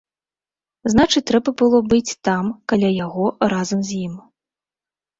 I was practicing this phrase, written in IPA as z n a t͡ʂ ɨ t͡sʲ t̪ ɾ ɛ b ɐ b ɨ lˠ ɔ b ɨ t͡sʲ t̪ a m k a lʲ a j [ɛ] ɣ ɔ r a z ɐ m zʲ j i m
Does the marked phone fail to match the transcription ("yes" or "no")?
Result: yes